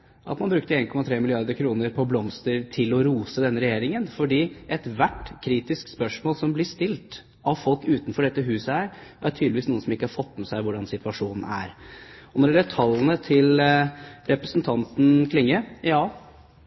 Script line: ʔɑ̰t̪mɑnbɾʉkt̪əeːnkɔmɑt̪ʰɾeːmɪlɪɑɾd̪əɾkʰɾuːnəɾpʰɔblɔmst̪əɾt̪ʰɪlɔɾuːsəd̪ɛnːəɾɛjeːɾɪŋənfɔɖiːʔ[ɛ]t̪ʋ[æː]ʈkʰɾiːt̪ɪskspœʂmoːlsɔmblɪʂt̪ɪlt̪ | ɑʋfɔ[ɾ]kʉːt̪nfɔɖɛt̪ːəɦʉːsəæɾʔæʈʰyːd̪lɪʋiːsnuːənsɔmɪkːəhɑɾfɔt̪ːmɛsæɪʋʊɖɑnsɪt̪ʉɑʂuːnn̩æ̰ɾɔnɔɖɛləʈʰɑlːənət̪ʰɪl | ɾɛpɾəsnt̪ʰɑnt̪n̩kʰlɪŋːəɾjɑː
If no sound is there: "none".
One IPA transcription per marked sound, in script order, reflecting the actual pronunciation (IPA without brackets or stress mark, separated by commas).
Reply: ɛ, æ, l